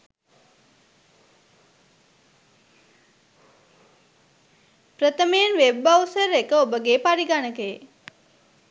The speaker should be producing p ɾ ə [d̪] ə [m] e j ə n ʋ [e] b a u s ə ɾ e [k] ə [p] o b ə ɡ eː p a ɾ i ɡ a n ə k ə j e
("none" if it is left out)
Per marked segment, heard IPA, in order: t̪, m, e, k, none

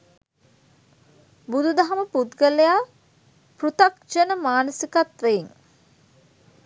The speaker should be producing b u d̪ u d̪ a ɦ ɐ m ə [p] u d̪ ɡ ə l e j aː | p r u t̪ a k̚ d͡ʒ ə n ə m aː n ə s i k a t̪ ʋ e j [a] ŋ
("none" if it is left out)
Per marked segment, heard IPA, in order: p, i

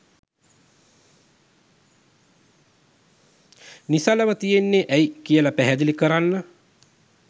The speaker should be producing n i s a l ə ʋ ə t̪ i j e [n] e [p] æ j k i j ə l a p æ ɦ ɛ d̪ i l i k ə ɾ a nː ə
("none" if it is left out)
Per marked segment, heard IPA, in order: nː, ʔ

